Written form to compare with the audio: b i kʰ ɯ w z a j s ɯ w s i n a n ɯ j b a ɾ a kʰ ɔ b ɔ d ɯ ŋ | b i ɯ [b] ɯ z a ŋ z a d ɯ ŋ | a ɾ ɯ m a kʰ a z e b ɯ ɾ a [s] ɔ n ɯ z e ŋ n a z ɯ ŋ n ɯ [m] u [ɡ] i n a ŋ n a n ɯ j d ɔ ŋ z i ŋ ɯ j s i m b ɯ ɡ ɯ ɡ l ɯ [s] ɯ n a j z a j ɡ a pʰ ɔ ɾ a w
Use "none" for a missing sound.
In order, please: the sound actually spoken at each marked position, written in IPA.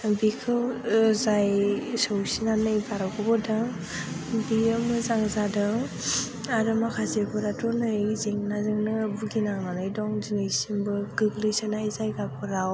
m, t, b, ɡ, s

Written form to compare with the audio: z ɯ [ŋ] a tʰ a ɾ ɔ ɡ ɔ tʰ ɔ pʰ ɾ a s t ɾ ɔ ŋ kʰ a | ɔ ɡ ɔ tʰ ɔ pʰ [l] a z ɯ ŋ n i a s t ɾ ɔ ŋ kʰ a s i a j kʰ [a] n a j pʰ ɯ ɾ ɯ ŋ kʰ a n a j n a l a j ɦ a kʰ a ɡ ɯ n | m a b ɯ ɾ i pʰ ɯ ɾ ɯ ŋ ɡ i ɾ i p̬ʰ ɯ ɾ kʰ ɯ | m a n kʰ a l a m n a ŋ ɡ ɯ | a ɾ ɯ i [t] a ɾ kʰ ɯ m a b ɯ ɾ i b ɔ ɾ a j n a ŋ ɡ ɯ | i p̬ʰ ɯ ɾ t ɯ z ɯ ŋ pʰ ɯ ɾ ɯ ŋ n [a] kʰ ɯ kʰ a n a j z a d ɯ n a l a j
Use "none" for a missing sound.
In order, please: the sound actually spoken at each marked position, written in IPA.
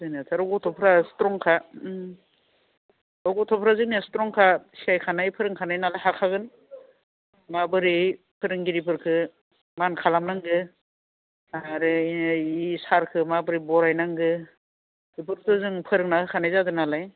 n, ɾ, a, s, a

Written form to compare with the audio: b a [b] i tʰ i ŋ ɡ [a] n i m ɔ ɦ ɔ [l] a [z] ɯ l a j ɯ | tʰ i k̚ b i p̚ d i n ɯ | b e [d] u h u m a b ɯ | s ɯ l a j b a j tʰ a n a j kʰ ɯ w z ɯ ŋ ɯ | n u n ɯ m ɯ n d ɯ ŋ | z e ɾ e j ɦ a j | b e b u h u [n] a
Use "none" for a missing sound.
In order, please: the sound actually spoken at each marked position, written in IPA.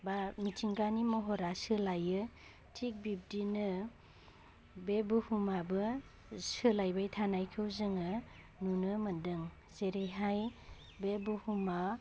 m, a, ɾ, s, b, m

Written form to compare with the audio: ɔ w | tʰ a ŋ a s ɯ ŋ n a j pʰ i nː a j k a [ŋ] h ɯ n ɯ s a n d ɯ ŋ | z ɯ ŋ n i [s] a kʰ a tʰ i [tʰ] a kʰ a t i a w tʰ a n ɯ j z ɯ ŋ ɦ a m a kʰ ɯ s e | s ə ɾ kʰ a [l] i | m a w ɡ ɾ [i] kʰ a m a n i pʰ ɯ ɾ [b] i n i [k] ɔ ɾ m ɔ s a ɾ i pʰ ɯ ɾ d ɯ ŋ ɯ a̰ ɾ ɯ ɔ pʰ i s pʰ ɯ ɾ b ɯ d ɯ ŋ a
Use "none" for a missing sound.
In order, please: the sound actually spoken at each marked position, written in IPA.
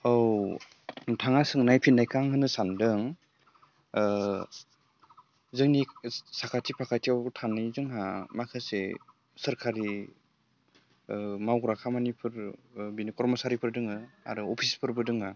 ŋ, s, pʰ, ɾ, a, b, k

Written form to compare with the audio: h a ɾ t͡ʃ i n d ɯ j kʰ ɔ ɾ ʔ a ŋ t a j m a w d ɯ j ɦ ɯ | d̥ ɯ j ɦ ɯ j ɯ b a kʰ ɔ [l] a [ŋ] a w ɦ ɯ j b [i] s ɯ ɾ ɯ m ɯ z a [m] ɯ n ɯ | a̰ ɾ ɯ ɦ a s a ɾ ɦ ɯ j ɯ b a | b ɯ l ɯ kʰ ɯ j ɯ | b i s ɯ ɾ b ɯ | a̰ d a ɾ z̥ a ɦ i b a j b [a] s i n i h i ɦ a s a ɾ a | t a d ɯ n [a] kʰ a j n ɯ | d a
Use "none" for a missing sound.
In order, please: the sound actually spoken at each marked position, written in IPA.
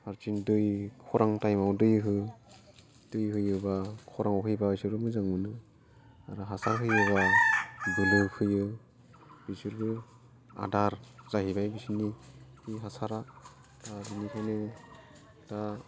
ɾ, ŋ, a, ŋ, i, i

